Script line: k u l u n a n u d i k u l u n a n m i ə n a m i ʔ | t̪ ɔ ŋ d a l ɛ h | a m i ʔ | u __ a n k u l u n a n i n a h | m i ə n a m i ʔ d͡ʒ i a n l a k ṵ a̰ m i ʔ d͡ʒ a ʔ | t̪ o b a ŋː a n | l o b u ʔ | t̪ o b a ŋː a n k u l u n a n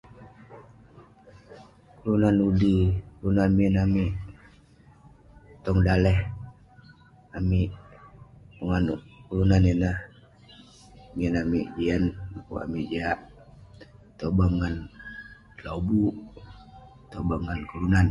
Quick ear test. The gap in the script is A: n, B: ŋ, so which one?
B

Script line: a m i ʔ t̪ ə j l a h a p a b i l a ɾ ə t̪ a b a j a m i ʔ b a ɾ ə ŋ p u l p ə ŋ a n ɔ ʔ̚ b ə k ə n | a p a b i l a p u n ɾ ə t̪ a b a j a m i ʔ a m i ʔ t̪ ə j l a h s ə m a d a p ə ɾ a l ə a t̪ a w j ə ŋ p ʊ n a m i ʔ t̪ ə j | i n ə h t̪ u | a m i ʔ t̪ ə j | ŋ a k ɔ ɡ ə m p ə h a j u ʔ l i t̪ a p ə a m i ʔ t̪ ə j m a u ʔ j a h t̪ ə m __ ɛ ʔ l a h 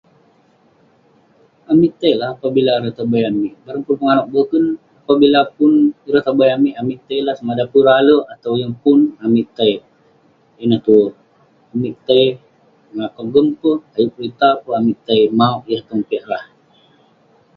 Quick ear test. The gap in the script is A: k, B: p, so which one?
B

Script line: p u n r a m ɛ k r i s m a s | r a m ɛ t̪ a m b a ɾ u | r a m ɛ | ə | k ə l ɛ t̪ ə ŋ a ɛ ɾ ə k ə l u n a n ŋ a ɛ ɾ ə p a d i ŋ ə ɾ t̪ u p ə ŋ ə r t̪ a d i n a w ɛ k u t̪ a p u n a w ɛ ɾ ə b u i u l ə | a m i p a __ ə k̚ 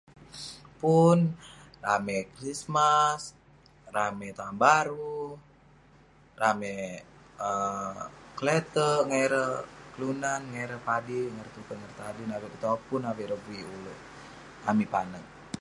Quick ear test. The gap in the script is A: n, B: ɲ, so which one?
A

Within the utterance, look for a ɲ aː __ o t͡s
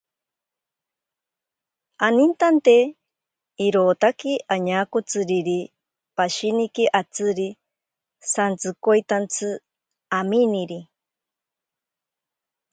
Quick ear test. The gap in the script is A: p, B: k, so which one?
B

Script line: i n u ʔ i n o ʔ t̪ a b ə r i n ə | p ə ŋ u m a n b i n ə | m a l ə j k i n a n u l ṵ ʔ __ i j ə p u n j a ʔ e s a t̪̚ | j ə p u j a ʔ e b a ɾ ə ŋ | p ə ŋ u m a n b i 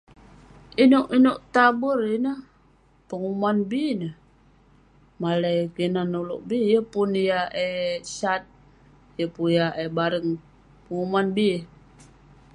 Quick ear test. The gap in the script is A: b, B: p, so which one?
A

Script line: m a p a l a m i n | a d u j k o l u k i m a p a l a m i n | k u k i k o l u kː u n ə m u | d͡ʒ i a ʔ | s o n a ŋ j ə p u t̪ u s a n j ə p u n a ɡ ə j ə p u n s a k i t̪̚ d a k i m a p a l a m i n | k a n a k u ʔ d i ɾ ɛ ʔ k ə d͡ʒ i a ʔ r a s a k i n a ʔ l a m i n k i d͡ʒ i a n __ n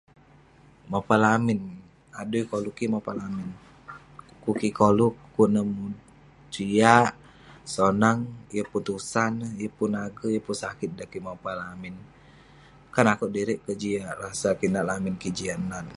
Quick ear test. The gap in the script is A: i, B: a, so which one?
B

